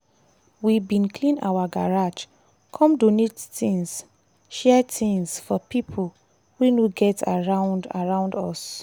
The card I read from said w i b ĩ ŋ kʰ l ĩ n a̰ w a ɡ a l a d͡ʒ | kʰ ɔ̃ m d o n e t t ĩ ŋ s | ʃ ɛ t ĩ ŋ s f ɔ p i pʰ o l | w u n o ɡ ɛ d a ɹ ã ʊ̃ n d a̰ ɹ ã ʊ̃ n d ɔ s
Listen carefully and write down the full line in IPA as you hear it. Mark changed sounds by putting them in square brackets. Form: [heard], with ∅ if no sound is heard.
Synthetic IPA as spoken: w i b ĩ [n] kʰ l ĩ n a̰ w a ɡ a [ɹ] a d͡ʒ | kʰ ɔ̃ m d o n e t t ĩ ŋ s | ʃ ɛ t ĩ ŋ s f ɔ p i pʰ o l | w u n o ɡ ɛ [t] a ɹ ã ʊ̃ n d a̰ ɹ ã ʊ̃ n d ɔ s